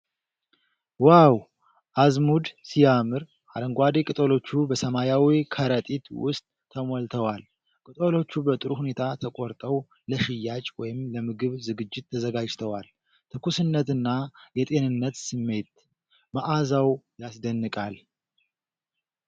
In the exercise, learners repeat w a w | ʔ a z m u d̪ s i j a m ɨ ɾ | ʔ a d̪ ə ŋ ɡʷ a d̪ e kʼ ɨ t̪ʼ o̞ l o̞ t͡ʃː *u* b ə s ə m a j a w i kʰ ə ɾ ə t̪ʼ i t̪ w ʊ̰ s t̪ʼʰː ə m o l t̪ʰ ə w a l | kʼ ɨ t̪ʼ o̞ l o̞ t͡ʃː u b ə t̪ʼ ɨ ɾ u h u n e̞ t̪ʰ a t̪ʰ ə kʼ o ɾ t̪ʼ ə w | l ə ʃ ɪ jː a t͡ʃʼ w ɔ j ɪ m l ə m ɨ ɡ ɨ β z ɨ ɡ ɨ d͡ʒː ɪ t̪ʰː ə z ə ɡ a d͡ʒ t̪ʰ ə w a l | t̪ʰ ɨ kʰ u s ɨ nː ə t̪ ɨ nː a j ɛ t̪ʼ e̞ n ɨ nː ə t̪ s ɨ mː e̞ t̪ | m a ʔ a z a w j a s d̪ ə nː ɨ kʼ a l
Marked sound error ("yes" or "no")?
no